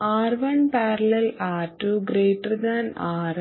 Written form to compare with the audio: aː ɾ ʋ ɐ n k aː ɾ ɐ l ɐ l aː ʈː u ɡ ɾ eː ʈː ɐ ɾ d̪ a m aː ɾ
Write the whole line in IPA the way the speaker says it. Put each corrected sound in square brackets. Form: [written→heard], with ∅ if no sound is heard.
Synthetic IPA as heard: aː ɾ ʋ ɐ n [k→p] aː ɾ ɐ l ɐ l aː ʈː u ɡ ɾ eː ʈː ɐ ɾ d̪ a [m→n] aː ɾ